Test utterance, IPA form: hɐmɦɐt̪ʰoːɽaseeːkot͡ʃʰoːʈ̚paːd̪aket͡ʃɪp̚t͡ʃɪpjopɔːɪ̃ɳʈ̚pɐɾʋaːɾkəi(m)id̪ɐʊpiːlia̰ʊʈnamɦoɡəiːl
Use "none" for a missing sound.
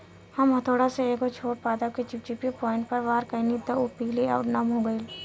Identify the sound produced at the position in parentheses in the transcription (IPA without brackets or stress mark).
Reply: n